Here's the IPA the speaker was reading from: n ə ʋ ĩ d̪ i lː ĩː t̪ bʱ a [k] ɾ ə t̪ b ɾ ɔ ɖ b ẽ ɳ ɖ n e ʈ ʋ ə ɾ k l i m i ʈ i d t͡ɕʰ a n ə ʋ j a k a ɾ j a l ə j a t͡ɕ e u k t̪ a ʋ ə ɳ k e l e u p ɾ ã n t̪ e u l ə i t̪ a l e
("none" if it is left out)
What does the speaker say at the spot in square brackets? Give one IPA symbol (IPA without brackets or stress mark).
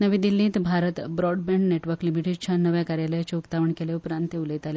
none